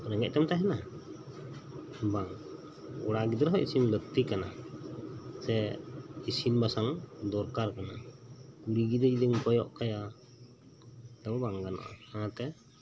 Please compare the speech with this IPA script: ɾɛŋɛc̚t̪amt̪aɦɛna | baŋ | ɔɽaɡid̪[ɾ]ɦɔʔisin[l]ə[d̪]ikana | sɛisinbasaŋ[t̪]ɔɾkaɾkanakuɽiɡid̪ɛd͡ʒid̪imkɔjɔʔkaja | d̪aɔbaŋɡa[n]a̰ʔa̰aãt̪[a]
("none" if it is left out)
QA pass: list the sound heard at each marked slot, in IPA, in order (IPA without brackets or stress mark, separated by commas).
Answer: ɾ, l, t̪, d̪, n, ɛ